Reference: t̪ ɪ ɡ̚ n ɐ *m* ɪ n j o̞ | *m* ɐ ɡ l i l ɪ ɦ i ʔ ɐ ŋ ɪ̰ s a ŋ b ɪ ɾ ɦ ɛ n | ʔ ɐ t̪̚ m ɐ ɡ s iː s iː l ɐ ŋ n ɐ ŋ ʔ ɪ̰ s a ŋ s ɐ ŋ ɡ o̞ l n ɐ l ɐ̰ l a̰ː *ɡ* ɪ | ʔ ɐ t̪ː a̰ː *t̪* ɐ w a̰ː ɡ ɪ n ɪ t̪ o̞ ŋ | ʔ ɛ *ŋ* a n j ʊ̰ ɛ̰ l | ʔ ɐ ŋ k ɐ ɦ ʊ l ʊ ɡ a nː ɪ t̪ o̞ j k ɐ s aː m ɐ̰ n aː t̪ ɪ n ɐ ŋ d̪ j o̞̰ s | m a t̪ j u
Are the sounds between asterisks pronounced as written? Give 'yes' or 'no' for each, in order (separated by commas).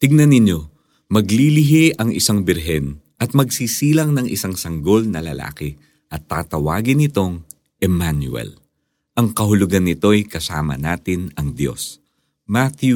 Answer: no, yes, no, yes, no